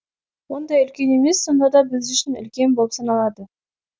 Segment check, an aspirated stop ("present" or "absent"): absent